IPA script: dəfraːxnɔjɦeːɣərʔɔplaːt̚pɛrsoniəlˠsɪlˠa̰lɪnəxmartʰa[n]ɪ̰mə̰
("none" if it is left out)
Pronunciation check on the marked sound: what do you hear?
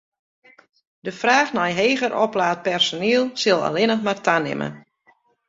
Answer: n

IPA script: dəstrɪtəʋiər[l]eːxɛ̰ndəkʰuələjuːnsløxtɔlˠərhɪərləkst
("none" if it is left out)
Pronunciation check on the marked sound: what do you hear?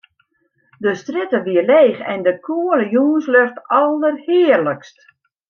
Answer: l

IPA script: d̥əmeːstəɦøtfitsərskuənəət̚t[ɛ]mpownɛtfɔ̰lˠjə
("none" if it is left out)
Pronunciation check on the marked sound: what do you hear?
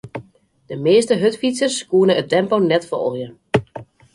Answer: ɛ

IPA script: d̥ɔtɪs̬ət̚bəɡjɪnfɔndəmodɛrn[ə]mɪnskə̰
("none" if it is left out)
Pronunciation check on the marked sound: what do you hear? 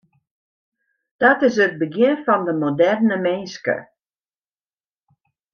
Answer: ə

